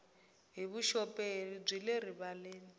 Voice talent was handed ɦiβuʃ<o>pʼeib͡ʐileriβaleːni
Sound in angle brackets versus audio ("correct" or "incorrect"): incorrect